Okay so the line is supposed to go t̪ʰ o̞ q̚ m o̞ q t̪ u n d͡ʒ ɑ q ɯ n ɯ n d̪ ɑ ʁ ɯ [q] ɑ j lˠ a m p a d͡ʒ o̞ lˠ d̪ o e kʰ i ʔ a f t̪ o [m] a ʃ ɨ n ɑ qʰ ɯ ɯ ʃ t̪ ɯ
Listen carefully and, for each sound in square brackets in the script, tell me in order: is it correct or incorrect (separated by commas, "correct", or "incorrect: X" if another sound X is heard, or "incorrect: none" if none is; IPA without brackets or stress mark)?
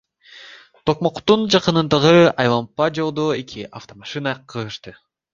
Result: incorrect: none, correct